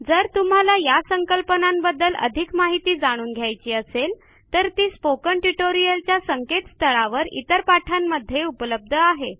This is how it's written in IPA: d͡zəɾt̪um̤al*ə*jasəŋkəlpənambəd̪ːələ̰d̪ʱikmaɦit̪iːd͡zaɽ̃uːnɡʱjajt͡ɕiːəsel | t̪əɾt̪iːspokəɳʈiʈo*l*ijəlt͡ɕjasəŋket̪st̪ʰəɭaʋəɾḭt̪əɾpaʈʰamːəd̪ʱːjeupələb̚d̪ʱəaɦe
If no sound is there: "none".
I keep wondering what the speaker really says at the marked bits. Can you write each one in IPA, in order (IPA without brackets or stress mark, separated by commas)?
a, ɾ